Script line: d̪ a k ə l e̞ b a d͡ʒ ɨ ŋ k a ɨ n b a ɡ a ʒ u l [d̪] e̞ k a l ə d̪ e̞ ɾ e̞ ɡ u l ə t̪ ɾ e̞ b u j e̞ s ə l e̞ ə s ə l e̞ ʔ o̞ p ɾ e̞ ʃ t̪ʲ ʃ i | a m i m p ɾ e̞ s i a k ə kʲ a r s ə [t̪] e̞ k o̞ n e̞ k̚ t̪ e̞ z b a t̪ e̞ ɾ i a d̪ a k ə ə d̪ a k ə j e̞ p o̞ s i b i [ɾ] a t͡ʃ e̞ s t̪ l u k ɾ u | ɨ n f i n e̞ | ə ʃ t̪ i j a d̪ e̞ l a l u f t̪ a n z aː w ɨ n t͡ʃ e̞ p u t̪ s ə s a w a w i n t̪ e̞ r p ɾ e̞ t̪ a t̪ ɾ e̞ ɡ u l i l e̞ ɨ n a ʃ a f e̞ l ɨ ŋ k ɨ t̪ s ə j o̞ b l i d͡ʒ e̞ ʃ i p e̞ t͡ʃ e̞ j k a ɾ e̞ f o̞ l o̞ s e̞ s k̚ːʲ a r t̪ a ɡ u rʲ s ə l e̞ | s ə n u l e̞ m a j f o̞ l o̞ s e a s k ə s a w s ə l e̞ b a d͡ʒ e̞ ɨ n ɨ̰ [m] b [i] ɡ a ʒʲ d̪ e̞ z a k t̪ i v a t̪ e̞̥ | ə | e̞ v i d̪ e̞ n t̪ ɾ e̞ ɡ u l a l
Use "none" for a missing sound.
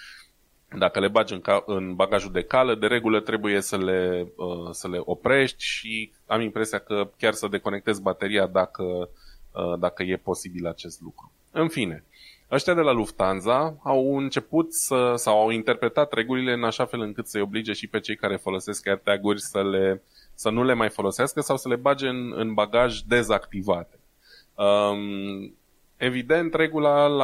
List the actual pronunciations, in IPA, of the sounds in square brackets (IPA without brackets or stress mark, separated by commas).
d̪, d̪, l, n, a